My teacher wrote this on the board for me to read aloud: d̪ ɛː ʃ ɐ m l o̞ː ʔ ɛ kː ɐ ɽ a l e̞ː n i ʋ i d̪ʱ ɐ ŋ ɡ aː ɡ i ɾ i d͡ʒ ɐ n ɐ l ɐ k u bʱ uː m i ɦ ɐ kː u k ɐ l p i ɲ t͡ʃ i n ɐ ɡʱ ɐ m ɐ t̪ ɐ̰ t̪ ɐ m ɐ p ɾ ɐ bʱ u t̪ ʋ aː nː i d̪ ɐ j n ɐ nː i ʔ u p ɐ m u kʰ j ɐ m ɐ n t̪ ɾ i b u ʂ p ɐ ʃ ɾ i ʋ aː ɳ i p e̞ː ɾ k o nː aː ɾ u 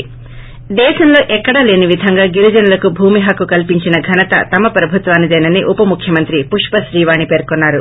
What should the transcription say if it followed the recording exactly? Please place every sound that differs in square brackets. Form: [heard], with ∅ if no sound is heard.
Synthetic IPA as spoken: d̪ ɛː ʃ ɐ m l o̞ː ʔ ɛ kː ɐ ɽ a l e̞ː n i ʋ i d̪ʱ ɐ ŋ ɡ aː ɡ i ɾ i d͡ʒ ɐ n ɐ l ɐ k u bʱ uː m i ɦ ɐ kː u k ɐ l p i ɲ t͡ʃ i n ɐ ɡʱ ɐ [n] ɐ t̪ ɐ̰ t̪ ɐ m ɐ p ɾ ɐ bʱ u t̪ ʋ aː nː i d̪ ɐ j n ɐ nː i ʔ u p ɐ m u kʰ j ɐ m ɐ n t̪ ɾ i [p] u ʂ p ɐ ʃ ɾ [iː] ʋ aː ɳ i p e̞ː ɾ k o nː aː ɾ u